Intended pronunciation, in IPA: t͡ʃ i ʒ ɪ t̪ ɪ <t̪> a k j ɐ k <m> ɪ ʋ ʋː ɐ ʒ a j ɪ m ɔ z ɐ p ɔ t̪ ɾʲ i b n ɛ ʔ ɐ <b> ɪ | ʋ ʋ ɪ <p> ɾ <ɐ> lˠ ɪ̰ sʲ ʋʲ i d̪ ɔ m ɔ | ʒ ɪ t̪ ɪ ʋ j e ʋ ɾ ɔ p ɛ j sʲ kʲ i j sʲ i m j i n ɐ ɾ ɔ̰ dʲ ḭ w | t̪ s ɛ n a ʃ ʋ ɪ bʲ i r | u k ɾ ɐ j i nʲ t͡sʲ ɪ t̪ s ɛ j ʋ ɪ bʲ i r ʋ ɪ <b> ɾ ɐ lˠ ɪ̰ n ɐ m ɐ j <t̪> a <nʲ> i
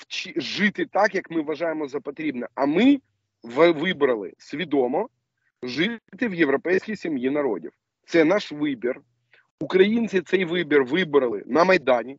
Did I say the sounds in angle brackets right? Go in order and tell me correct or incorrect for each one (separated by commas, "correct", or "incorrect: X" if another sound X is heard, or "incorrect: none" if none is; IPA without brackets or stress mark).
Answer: correct, correct, incorrect: m, incorrect: b, correct, correct, incorrect: d̪, correct